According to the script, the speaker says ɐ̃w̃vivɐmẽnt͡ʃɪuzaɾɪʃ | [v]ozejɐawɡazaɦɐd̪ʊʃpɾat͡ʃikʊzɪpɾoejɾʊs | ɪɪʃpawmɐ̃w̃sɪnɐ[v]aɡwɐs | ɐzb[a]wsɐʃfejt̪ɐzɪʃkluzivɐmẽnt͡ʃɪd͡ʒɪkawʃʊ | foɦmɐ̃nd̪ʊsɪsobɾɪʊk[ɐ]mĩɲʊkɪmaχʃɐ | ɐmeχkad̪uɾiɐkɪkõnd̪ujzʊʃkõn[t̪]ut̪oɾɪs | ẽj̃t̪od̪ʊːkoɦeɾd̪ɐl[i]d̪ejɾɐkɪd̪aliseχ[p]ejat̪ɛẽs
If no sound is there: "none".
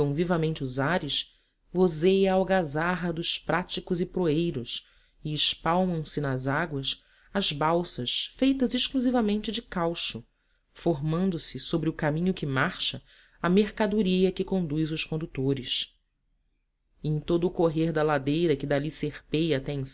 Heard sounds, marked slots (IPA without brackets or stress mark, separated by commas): v, z, a, a, d̪, a, p